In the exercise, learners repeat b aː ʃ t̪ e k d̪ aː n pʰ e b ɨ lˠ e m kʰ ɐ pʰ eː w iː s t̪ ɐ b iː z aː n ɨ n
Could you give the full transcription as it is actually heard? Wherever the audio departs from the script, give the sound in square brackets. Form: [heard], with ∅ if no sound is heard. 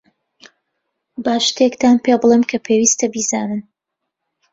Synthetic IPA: b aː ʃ t̪ e k [t̪] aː n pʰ e b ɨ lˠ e m kʰ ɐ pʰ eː w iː s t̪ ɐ b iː z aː n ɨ n

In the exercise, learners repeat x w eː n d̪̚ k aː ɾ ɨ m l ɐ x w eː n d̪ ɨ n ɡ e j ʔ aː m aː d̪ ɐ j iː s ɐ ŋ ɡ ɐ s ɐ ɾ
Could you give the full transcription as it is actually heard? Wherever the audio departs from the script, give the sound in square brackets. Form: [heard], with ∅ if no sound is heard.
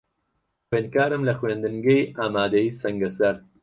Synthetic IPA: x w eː n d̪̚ k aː ɾ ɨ m l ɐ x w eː n d̪ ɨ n ɡ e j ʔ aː m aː d̪ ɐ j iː s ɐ ŋ ɡ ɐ s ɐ ɾ

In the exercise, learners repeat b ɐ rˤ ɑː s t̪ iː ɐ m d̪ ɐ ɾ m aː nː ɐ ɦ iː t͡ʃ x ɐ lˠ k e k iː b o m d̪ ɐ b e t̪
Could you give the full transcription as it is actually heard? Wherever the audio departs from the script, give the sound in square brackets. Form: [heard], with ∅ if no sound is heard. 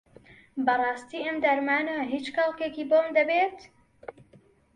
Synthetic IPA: b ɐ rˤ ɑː s t̪ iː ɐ m d̪ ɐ ɾ m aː [n] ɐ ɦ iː t͡ʃ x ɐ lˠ k e k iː b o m d̪ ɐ b e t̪

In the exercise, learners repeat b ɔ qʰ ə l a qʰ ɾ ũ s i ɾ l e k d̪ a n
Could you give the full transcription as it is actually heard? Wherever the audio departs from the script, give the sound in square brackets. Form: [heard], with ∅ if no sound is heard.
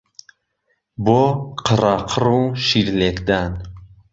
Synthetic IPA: b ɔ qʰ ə [ɾ] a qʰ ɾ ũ [ʃ] i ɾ l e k d̪ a n

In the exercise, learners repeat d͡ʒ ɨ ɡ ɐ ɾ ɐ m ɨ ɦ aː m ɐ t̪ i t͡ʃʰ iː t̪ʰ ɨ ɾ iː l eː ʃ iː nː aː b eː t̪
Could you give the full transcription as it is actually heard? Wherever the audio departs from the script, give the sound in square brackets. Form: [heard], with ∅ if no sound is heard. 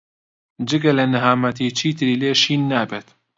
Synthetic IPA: d͡ʒ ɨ ɡ ɐ [l] ɐ [n] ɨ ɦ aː m ɐ t̪ i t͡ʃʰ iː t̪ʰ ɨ ɾ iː l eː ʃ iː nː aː b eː t̪

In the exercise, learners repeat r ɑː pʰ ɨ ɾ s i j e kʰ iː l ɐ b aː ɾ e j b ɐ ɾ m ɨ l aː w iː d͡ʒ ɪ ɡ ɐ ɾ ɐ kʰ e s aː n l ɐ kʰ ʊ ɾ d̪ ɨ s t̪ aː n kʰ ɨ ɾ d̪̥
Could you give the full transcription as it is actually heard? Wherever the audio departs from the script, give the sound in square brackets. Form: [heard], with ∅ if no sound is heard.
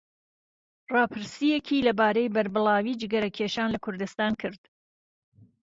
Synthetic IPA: r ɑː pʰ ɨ ɾ s i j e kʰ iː l ɐ b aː ɾ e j b ɐ ɾ [b] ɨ l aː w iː d͡ʒ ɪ ɡ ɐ ɾ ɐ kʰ e [ʃ] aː n l ɐ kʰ ʊ ɾ d̪ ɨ s t̪ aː n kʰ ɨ ɾ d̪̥

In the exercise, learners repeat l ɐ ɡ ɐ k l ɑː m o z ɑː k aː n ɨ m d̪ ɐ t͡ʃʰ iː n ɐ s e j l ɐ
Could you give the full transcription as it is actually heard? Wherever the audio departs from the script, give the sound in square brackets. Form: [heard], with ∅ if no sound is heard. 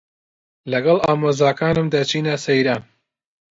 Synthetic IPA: l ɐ ɡ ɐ [∅] l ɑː m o z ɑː k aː n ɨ m d̪ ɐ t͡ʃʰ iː n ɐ s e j [ɾ] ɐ

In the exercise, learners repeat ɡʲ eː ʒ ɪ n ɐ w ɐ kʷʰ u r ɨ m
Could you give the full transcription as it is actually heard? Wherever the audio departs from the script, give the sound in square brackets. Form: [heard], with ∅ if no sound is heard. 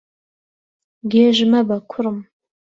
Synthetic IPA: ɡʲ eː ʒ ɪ [m] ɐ [b] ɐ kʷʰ [ʊ] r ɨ m

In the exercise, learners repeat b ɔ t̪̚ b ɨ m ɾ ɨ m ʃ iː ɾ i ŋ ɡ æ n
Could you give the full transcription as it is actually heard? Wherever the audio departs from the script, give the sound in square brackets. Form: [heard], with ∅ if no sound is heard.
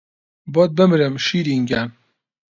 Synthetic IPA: b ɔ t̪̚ b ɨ m ɾ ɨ m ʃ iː ɾ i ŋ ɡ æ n

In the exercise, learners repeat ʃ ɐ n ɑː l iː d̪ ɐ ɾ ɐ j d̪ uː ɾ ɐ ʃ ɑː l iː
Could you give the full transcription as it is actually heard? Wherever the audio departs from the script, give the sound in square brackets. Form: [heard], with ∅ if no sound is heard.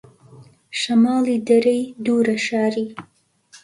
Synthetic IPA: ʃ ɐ [m] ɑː l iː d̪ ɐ ɾ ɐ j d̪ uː ɾ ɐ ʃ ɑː [ɾ] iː

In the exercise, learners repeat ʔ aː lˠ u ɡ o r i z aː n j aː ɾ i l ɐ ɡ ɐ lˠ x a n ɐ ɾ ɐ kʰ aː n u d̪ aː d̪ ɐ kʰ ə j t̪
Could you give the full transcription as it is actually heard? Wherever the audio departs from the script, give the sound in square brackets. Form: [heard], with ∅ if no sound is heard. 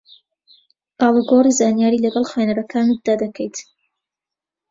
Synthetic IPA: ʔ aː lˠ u ɡ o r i z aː n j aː ɾ i l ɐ ɡ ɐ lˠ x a n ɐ ɾ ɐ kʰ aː n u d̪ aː d̪ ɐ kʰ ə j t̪

